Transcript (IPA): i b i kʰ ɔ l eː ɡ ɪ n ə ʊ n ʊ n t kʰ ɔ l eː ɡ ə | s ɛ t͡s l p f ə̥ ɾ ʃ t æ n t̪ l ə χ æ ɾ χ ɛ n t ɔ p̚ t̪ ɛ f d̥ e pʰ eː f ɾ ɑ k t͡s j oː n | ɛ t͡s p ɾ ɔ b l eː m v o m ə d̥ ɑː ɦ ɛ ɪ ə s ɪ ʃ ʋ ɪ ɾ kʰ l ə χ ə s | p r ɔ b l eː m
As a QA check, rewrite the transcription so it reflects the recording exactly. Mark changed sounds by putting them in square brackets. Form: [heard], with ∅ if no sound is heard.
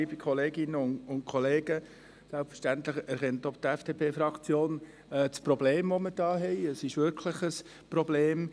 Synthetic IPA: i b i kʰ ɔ l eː ɡ ɪ n ə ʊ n ʊ n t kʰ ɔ l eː ɡ ə | s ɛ [∅] l p f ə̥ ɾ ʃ t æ n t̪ l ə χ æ ɾ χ ɛ n t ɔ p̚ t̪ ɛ f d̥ e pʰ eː f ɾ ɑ k t͡s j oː n | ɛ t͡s p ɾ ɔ b l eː m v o m ə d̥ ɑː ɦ ɛ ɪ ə s ɪ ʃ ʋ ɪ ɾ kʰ l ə χ ə s | p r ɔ b l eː m

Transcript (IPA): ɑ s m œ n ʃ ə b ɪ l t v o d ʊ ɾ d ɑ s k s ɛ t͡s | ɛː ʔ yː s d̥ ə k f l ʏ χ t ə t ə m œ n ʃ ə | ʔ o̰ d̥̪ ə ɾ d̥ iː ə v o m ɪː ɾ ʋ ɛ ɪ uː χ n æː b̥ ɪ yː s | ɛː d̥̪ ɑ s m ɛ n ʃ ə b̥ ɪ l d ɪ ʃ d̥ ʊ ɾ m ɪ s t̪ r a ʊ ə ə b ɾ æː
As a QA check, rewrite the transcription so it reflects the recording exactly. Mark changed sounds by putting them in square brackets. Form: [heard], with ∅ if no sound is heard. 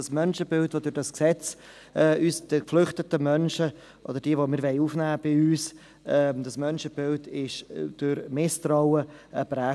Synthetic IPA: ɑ s m œ n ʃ ə b ɪ l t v o d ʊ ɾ d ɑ s k s ɛ t͡s | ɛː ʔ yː s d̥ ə k f l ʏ χ t ə t ə m œ n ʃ ə | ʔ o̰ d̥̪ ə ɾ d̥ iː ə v o m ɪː ɾ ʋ ɛ ɪ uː [f] n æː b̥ ɪ yː s | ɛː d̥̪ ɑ s m [œ] n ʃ ə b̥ ɪ l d ɪ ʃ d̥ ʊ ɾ m ɪ s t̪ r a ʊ ə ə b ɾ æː

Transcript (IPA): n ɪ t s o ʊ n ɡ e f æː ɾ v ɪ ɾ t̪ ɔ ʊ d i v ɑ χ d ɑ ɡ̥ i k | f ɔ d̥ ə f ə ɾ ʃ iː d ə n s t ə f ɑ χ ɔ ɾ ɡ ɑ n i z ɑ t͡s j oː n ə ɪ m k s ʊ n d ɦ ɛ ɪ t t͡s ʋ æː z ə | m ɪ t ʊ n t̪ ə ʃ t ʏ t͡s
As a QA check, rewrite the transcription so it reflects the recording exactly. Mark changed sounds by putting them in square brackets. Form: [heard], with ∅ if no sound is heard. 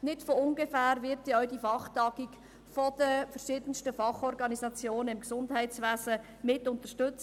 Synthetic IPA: n ɪ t [f] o ʊ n ɡ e f æː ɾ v ɪ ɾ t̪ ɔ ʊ d i [f] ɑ χ [t] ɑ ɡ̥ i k | f ɔ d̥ ə f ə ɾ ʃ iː d ə n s t ə f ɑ χ ɔ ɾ ɡ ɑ n i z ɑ t͡s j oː n ə ɪ m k s ʊ n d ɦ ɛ ɪ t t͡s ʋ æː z ə | m ɪ t ʊ n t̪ ə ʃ t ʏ t͡s

